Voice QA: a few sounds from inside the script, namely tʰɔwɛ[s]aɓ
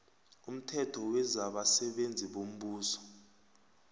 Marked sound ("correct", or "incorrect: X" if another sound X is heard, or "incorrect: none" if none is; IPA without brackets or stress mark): incorrect: z